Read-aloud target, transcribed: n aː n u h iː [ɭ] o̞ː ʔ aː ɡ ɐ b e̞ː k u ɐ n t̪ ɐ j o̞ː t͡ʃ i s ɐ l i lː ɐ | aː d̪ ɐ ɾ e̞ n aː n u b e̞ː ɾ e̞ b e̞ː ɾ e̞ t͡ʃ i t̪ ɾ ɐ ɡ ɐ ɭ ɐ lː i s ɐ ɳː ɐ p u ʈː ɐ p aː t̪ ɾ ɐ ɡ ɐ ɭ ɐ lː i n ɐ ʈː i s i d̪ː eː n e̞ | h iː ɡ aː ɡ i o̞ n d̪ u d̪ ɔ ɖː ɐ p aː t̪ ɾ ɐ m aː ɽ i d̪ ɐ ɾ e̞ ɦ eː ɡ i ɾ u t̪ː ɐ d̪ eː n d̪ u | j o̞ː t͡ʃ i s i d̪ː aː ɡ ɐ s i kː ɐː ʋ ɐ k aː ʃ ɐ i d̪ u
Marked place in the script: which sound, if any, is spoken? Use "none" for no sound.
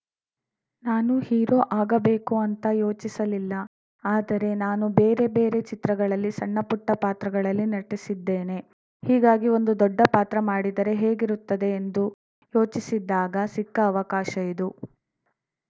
ɾ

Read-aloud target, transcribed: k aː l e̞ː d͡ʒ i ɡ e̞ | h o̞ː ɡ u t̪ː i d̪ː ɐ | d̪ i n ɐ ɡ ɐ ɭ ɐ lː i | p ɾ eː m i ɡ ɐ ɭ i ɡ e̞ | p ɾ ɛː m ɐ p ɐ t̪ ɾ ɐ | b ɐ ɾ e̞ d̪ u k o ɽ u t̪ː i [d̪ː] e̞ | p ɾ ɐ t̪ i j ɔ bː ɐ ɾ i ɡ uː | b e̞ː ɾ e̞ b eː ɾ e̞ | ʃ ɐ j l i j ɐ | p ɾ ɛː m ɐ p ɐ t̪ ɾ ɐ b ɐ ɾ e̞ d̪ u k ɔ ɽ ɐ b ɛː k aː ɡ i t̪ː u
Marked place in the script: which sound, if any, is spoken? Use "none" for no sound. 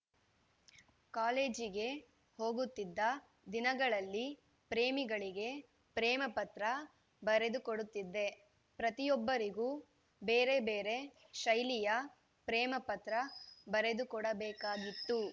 d̪ː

